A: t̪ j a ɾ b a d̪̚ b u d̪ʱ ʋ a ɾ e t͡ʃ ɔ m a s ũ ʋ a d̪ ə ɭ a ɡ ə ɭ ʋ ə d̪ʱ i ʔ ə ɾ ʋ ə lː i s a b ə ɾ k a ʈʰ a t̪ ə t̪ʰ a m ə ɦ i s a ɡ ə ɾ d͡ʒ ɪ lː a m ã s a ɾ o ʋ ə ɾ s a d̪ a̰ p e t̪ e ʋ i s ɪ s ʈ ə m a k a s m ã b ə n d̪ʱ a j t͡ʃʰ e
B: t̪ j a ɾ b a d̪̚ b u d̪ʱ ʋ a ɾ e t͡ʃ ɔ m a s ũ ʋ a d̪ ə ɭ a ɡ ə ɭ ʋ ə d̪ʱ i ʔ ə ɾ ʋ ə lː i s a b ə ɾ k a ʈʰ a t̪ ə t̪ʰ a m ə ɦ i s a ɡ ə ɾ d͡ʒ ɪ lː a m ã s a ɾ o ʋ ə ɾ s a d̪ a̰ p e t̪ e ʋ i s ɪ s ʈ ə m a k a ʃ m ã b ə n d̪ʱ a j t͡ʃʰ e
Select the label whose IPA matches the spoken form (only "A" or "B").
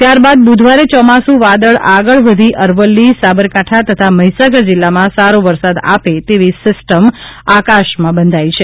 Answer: B